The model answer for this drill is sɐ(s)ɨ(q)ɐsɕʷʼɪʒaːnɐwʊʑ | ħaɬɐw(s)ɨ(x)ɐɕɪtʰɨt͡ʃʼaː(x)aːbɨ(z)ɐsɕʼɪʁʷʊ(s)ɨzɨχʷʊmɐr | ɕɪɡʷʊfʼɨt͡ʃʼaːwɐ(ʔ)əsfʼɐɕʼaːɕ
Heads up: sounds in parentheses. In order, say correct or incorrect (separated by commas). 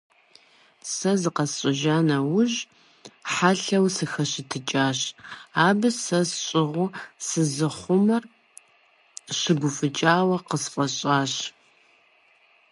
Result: incorrect, correct, correct, correct, incorrect, incorrect, correct, incorrect